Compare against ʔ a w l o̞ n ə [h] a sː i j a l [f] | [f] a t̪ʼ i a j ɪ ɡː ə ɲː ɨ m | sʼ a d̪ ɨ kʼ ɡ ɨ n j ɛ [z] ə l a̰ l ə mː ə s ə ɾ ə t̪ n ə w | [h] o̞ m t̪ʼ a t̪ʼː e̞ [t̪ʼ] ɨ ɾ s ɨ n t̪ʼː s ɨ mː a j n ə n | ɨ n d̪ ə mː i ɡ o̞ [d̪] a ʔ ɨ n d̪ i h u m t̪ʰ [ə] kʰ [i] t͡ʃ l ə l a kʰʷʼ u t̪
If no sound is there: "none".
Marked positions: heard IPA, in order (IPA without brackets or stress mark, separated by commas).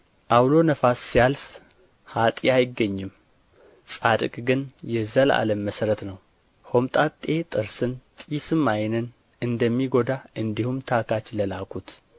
f, f, h, z, h, t̪ʼ, d̪, a, a